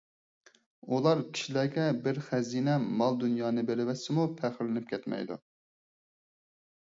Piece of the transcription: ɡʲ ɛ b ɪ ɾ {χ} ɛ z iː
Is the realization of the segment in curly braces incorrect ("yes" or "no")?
no